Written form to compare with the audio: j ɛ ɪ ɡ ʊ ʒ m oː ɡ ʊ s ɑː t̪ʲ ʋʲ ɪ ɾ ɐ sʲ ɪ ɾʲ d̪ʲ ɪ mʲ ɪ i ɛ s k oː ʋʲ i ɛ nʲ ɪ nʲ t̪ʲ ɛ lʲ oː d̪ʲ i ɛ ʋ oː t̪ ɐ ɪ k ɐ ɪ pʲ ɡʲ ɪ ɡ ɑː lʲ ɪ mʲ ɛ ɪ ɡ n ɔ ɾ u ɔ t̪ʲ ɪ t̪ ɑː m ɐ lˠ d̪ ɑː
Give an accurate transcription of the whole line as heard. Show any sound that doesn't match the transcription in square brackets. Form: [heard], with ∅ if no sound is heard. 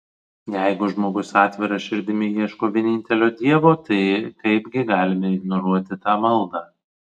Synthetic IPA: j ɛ ɪ ɡ ʊ ʒ m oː ɡ ʊ s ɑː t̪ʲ ʋʲ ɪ ɾ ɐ [ʃʲ] ɪ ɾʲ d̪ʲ ɪ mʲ ɪ i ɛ [ʃ] k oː ʋʲ i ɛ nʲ ɪ nʲ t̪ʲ ɛ lʲ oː d̪ʲ i ɛ ʋ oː t̪ ɐ ɪ k ɐ ɪ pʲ ɡʲ ɪ ɡ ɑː lʲ ɪ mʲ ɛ ɪ ɡ n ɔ ɾ u ɔ t̪ʲ ɪ t̪ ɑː m ɐ lˠ d̪ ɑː